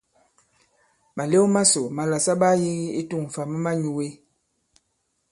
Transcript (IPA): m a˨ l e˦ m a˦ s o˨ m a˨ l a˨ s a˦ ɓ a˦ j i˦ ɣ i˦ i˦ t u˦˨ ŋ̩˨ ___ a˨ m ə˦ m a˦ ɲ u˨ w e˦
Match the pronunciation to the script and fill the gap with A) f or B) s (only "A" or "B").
A